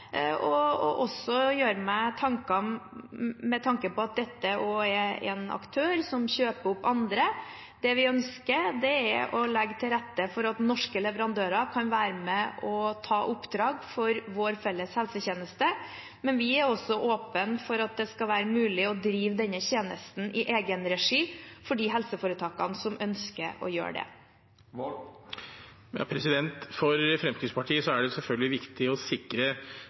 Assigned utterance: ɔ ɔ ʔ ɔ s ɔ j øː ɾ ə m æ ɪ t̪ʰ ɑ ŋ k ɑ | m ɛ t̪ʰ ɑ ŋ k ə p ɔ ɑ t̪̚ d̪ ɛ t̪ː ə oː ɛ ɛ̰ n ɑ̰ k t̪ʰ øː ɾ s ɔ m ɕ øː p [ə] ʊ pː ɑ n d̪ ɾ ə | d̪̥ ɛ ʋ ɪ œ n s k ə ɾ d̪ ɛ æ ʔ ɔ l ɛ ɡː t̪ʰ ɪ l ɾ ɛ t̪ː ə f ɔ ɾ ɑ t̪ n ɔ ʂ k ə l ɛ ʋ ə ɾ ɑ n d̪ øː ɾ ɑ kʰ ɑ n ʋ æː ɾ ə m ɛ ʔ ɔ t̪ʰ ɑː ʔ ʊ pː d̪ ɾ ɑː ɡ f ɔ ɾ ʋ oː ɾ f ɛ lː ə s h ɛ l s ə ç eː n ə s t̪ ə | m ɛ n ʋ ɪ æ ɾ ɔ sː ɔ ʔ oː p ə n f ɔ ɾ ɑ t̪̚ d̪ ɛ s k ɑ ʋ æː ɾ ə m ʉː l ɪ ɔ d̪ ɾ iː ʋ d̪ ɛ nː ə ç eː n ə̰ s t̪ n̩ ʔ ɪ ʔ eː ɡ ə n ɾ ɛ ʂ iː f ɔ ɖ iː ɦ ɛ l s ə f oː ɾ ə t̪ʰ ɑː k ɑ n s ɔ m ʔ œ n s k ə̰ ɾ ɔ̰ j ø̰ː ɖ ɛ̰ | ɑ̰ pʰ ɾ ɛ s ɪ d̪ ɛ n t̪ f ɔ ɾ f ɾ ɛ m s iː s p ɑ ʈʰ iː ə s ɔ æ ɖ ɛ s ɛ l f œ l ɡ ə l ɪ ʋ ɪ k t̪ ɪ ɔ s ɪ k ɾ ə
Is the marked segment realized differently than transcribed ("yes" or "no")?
no